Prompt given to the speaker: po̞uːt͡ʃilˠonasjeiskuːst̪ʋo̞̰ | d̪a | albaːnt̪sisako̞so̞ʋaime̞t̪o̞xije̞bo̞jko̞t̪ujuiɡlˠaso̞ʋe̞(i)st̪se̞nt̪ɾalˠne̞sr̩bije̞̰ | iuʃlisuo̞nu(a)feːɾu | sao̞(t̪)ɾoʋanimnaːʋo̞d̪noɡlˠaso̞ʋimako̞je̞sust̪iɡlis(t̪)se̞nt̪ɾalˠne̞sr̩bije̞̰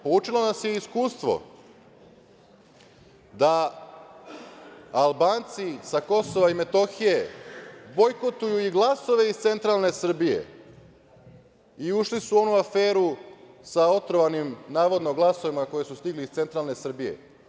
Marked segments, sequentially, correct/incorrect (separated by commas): correct, correct, correct, correct